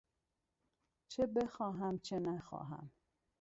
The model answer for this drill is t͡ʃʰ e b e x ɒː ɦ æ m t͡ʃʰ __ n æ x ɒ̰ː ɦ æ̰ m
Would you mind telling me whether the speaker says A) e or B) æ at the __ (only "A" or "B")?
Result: A